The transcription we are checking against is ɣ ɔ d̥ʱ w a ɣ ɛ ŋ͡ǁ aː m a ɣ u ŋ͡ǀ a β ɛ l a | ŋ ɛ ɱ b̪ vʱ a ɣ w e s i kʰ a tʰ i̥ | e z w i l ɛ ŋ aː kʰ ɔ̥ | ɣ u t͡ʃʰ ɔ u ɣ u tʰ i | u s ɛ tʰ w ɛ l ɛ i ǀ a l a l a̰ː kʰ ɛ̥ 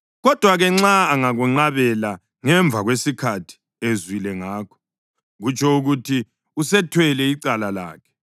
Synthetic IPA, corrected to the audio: ɣ ɔ d̥ʱ w a ɣ ɛ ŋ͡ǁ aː ŋ a ɣ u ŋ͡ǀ a β ɛ l a | ŋ ɛ ɱ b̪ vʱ a ɣ w e s i kʰ a tʰ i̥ | e z w i l ɛ ŋ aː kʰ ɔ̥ | ɣ u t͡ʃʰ ɔ u ɣ u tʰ i | u s ɛ tʰ w ɛ l ɛ i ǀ a l a l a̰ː kʰ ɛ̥